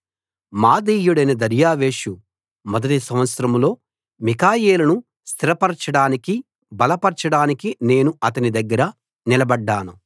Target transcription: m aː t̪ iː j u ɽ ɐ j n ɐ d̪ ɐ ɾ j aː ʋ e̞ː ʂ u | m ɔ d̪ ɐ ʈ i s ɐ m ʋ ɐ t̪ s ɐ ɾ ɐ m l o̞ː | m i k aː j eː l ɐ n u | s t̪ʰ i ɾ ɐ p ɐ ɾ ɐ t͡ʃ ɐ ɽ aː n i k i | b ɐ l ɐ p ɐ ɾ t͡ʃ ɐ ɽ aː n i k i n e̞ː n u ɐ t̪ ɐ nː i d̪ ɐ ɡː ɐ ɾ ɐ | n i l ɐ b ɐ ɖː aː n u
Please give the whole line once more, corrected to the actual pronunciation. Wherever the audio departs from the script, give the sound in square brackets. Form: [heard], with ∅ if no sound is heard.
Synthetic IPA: m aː [d̪] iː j u ɽ ɐ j n ɐ d̪ ɐ ɾ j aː ʋ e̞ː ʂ u | m ɔ d̪ ɐ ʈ i s ɐ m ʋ ɐ t̪ s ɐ ɾ ɐ m l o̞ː | m i k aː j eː l ɐ n u | s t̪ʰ i ɾ ɐ p ɐ ɾ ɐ t͡ʃ ɐ ɽ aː n i k i | b ɐ l ɐ p ɐ ɾ t͡ʃ ɐ ɽ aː n i k i n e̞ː n u ɐ t̪ ɐ [n] i d̪ ɐ ɡː ɐ ɾ ɐ | n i l ɐ b ɐ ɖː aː n u